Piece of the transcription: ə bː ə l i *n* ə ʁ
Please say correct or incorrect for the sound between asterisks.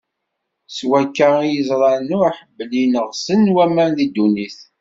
correct